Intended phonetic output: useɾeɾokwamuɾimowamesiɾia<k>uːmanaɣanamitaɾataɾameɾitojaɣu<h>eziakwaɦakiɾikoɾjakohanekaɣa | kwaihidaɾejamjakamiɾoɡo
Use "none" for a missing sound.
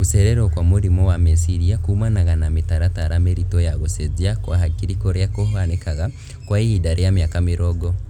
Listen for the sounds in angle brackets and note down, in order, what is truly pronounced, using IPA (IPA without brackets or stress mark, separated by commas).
k, s